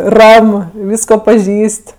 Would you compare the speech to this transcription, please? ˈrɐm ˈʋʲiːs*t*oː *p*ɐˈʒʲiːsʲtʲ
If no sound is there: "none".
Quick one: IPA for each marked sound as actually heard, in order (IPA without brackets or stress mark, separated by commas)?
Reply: k, p